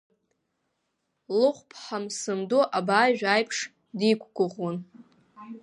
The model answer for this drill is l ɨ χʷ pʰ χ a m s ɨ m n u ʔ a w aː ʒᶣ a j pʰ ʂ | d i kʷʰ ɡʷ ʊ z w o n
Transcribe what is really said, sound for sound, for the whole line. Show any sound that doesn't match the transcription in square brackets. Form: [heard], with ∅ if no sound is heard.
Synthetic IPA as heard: l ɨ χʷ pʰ [ħ] a m s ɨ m [d] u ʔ a [b] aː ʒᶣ a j pʰ ʂ | d i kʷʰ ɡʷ ʊ [ʁ] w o n